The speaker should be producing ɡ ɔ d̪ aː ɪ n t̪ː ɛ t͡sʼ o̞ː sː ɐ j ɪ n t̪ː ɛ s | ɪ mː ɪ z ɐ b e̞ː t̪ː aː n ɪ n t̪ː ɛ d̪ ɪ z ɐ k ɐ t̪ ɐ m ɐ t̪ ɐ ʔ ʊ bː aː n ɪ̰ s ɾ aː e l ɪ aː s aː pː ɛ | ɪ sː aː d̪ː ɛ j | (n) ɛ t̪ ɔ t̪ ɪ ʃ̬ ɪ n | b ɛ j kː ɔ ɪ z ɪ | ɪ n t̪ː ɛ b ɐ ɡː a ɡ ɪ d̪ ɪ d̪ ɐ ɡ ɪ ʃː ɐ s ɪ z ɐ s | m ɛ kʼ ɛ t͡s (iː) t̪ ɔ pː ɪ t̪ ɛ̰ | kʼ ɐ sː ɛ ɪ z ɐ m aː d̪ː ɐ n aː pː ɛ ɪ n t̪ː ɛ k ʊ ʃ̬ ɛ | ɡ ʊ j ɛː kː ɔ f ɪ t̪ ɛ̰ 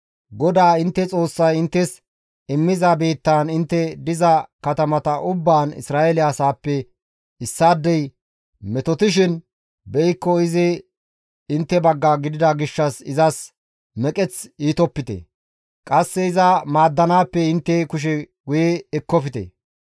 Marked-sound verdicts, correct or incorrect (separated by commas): incorrect, correct